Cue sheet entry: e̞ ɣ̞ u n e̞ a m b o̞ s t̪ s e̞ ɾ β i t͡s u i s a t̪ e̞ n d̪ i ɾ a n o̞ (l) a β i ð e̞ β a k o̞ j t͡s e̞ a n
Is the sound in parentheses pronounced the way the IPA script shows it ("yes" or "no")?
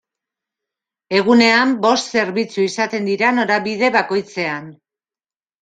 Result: no